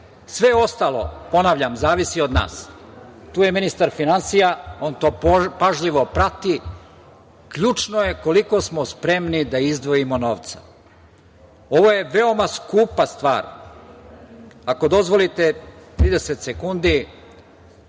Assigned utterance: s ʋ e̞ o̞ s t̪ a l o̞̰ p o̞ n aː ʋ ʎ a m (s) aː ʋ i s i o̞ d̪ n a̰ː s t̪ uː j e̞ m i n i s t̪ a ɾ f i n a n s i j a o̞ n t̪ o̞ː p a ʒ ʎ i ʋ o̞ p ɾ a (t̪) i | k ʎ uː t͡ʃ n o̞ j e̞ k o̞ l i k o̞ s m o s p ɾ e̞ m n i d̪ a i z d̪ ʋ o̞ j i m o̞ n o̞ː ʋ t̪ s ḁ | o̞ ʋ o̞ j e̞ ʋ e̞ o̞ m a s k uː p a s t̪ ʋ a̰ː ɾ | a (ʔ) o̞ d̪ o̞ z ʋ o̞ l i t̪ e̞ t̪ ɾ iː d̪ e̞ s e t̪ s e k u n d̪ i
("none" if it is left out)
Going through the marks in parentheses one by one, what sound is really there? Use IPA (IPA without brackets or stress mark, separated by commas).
z, t̪, k